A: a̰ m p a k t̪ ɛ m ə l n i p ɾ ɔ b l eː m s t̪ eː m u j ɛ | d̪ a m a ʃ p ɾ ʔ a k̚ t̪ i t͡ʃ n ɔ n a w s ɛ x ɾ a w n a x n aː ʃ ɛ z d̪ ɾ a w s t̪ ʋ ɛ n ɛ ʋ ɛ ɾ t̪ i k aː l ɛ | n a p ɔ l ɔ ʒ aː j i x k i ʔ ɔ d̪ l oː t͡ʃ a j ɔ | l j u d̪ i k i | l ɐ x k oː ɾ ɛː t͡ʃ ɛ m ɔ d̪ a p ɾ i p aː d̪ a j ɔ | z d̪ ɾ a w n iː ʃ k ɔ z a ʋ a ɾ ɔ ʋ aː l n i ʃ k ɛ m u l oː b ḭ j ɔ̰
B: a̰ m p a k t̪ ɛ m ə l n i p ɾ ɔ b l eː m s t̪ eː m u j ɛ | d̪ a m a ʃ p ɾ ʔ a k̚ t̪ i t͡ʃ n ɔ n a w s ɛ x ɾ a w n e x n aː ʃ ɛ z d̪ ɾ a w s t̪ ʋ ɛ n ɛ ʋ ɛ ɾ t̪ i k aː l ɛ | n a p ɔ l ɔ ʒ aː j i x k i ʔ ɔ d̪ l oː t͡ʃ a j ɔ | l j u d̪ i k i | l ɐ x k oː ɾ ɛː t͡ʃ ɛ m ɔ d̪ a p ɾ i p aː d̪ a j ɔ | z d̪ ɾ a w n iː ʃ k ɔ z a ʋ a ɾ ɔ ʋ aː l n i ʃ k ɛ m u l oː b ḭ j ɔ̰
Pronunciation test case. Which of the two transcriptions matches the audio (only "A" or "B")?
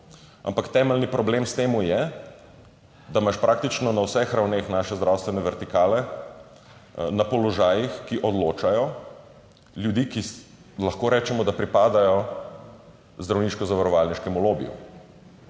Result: B